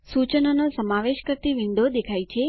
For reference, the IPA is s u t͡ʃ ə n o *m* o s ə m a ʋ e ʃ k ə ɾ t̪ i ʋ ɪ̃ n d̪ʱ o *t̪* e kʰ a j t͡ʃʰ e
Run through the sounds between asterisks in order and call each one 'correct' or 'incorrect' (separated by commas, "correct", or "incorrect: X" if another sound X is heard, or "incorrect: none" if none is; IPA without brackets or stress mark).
incorrect: n, incorrect: d̪